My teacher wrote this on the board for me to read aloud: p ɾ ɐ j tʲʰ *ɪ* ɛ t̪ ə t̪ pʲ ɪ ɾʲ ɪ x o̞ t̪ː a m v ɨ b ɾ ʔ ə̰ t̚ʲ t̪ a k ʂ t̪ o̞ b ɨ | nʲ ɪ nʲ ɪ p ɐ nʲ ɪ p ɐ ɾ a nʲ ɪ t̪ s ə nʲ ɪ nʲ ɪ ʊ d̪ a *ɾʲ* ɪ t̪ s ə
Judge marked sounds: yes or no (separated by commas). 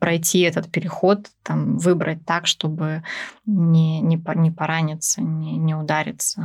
no, yes